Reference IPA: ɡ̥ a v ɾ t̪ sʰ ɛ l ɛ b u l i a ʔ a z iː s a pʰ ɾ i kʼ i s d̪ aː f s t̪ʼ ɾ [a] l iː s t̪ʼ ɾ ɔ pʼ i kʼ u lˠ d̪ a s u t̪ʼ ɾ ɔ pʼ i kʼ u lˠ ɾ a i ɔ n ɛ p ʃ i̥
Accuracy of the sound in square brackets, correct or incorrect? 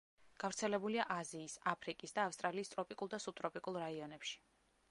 correct